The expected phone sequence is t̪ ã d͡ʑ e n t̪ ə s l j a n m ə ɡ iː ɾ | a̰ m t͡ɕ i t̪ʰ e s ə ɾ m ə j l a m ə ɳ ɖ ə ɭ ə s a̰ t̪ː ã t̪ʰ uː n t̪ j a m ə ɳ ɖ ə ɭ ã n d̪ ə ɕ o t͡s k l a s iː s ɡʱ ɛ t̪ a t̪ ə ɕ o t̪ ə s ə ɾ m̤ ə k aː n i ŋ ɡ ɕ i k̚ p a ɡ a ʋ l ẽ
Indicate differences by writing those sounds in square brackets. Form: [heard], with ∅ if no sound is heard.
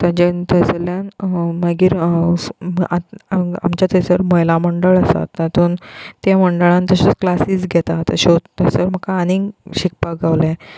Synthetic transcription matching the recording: t̪ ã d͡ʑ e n t̪ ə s l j a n m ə ɡ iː ɾ | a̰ m t͡ɕ [a] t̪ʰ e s ə ɾ m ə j l a m ə ɳ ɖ ə ɭ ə s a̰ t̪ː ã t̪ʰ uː n t̪ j a m ə ɳ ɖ ə ɭ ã n [t̪] ə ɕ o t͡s k l a s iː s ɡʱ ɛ t̪ a t̪ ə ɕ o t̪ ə s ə ɾ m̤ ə k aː n i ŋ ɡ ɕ i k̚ p a ɡ a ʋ l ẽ